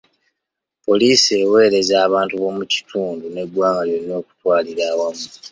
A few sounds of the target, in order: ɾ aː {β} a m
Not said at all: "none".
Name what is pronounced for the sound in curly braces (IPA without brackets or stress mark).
w